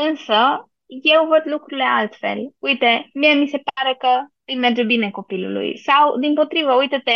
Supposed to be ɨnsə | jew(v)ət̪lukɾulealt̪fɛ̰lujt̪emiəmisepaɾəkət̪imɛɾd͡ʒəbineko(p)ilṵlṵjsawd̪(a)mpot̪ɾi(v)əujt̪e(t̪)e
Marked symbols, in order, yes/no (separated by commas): yes, yes, no, yes, yes